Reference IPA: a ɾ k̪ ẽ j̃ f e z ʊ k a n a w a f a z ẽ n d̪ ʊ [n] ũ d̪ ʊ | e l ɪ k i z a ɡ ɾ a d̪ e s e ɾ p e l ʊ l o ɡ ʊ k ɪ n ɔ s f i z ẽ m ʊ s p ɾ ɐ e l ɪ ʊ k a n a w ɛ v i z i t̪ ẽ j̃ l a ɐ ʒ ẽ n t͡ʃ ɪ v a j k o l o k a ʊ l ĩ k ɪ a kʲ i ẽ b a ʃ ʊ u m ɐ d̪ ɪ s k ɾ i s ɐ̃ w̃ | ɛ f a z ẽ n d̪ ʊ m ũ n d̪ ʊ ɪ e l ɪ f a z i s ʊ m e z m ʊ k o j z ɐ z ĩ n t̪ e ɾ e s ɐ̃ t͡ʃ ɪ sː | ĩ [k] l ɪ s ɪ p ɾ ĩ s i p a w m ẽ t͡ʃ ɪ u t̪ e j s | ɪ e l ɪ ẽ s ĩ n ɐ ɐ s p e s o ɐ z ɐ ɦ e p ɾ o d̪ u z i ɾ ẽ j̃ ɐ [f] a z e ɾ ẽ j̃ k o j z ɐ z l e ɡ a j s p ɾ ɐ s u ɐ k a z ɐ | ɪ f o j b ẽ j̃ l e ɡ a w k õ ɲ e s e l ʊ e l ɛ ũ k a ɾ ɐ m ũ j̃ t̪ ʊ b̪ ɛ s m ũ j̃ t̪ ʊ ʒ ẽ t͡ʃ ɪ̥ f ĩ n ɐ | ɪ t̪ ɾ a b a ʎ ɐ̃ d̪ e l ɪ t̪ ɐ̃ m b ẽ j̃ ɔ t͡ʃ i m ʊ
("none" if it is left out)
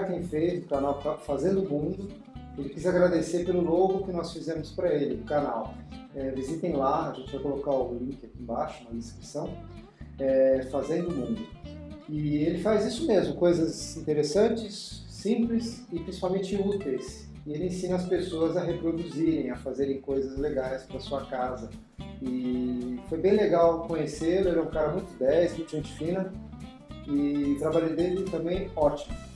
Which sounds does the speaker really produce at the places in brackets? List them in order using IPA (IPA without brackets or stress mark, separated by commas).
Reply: m, p, f